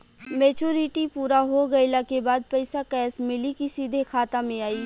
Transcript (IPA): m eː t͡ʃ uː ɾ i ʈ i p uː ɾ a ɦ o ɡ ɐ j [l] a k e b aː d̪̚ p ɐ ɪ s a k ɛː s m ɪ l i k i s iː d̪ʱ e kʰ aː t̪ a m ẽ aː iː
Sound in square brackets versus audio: correct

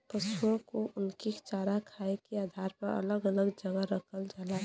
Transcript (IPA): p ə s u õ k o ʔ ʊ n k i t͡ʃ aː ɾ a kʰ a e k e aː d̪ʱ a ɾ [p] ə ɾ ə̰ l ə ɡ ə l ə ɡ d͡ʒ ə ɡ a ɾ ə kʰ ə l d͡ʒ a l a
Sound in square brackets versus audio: correct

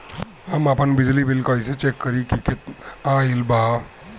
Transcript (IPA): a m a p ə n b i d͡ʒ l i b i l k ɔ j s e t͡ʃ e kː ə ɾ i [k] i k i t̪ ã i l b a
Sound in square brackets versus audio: correct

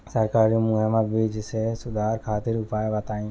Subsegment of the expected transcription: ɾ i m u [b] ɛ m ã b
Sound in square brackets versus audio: incorrect: none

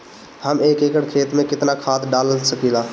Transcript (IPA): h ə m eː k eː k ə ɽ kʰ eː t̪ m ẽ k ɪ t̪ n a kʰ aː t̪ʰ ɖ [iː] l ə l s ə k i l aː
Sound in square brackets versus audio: incorrect: aː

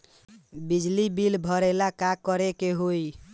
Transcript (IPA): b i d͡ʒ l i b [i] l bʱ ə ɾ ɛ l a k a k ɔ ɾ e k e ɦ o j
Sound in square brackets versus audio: correct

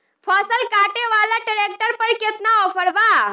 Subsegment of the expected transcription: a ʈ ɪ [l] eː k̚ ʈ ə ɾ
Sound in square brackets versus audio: incorrect: ɾ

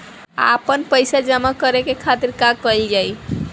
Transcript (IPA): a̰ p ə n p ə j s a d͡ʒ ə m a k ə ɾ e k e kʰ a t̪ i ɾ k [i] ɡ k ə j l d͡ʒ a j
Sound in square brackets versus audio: incorrect: a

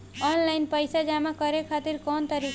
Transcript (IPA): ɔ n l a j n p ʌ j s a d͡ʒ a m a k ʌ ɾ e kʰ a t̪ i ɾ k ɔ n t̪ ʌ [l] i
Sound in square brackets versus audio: incorrect: ɾ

